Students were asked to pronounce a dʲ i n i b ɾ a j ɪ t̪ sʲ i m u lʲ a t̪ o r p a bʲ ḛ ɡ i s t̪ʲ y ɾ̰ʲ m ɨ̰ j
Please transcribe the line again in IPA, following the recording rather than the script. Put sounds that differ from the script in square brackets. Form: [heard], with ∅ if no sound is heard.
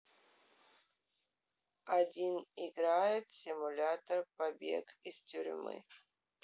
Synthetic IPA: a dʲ i n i [ɡ] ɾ a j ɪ t̪ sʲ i m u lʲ a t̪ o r p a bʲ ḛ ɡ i s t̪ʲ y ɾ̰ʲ m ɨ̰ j